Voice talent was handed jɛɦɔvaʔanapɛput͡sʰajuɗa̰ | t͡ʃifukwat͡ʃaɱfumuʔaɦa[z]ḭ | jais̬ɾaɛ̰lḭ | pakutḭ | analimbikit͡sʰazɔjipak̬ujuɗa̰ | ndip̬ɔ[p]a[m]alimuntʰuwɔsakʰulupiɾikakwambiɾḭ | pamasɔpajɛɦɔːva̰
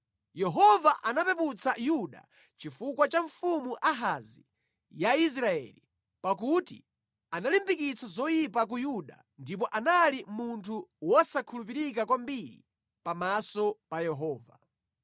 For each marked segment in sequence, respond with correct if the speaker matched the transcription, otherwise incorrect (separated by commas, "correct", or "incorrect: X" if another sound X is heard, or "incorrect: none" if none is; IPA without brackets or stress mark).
correct, incorrect: ʔ, incorrect: n